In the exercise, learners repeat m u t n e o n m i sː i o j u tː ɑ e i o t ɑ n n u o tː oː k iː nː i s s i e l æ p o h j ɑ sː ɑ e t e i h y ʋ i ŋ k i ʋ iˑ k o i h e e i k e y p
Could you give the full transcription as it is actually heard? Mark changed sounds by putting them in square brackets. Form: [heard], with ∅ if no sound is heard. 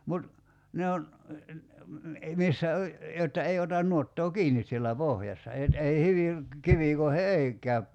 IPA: m u t n e o n m i sː [æ] o j [o] tː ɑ e i o t ɑ n n u o tː oː k iː [n] i s s i e [lː] æ p o h j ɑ sː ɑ e t e i h y ʋ i ŋ k i ʋ iˑ k o i h e e i k [æ] y p